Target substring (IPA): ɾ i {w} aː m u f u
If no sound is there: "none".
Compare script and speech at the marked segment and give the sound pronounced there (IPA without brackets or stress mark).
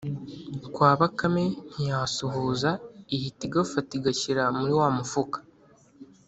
w